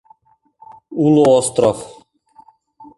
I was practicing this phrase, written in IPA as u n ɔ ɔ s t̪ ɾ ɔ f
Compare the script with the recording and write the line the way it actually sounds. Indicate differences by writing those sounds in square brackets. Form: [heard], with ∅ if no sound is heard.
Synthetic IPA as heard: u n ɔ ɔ s t̪ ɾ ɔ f